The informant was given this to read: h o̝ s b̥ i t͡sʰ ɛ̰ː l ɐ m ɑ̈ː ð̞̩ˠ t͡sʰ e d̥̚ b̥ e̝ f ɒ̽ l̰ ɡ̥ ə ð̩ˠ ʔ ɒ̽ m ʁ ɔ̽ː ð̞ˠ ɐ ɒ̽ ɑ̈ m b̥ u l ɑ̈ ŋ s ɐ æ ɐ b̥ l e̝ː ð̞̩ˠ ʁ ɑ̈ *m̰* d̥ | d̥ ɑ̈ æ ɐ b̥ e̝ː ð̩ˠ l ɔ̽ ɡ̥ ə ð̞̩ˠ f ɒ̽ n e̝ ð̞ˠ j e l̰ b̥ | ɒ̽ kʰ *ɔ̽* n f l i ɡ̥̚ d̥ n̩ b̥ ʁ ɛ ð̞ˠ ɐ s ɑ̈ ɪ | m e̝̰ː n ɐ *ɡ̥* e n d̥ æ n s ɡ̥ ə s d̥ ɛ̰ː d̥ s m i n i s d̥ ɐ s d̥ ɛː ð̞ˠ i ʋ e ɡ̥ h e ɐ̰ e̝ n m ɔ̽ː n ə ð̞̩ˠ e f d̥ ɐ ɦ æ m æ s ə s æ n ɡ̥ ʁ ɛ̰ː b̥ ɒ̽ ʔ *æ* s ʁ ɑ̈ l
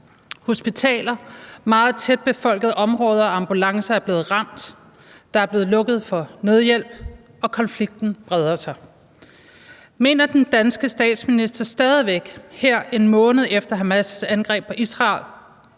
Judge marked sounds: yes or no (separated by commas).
yes, no, no, no